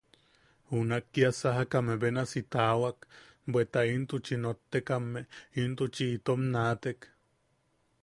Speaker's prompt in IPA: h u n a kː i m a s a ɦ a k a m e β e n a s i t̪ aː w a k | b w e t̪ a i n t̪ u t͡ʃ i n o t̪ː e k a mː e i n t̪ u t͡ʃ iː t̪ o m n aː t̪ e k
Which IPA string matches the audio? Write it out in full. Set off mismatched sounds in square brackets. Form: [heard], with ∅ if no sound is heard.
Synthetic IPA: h u n a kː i [∅] a s a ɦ a k a m e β e n a s i t̪ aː w a k | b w e t̪ a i n t̪ u t͡ʃ i n o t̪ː e k a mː e i n t̪ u t͡ʃ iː t̪ o m n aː t̪ e k